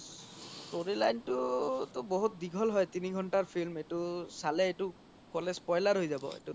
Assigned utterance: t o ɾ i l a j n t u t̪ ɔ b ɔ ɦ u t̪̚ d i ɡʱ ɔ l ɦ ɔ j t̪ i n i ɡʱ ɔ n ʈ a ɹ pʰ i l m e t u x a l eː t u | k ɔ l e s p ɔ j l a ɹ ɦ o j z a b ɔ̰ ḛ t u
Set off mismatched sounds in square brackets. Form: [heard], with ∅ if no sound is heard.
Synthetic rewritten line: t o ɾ i l a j n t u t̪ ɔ b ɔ ɦ u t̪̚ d i ɡʱ ɔ l ɦ ɔ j t̪ i n i ɡʱ ɔ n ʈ a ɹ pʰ i l m e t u [s] a l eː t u | k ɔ l e s p ɔ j l a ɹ ɦ o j z a b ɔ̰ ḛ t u